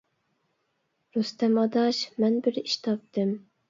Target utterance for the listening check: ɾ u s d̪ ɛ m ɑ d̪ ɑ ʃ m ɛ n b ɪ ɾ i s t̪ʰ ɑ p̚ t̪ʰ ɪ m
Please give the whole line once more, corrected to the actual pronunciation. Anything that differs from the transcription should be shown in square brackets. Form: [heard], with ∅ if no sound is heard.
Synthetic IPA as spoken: ɾ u s [t̪] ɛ m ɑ d̪ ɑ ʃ m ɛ n b ɪ ɾ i [ʃ] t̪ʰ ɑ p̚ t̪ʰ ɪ m